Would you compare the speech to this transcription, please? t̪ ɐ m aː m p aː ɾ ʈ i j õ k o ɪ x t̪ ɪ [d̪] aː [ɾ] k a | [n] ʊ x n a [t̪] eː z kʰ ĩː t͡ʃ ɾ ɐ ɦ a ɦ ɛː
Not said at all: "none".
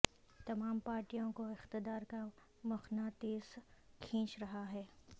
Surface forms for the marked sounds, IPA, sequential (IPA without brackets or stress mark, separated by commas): d̪, ɾ, m, t̪